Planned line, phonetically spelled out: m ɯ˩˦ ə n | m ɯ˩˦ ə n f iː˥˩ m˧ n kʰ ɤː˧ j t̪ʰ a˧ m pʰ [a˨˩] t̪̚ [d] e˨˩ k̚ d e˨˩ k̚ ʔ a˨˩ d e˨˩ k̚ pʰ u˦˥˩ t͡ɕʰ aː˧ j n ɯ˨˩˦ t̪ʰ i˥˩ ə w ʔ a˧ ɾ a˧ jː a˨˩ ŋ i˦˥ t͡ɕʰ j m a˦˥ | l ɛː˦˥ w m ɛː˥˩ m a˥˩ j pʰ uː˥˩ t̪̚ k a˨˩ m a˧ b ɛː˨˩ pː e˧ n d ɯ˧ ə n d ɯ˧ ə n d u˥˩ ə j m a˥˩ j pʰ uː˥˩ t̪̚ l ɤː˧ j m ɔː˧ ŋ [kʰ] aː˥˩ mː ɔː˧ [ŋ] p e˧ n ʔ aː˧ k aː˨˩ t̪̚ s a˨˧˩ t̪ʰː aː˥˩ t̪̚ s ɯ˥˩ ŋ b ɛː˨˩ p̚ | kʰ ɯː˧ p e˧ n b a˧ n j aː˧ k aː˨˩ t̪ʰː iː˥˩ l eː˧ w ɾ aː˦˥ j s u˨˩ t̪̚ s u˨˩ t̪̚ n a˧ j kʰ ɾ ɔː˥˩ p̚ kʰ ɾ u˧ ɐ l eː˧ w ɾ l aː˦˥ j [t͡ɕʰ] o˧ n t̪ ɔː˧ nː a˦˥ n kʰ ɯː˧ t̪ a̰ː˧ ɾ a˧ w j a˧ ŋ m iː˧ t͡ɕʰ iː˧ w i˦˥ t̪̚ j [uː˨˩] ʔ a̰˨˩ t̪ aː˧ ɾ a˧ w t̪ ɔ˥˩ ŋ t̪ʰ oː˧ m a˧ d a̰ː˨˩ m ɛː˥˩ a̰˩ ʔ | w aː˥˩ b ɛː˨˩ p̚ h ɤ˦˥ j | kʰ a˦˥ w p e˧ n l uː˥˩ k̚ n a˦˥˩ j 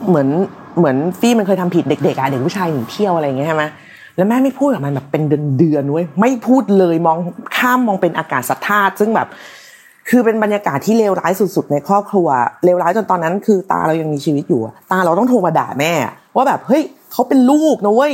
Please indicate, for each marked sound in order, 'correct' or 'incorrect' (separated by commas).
incorrect, correct, correct, correct, incorrect, correct